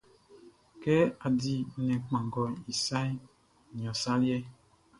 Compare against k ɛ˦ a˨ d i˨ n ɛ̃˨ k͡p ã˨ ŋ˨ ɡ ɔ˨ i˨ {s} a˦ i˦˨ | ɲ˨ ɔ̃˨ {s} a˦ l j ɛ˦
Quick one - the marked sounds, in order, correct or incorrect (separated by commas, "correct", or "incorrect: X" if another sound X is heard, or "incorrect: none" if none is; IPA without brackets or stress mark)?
correct, correct